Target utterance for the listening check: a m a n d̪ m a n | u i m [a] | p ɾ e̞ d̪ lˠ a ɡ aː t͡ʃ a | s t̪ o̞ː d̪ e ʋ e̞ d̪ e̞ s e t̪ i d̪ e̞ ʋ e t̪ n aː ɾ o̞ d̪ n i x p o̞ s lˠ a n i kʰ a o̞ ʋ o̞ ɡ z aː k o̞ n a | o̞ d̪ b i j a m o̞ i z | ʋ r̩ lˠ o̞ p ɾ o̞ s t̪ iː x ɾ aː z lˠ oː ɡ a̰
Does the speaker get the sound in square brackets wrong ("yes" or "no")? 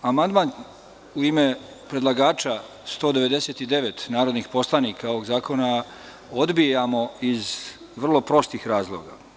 yes